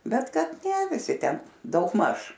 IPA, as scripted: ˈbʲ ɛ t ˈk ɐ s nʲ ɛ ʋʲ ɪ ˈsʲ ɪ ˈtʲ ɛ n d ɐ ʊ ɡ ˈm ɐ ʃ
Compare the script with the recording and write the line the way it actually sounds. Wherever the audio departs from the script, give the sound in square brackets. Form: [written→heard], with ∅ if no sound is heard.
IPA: ˈbʲ ɛ t ˈk ɐ [s→t] nʲ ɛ ʋʲ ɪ ˈsʲ ɪ ˈtʲ ɛ n d ɐ ʊ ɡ ˈm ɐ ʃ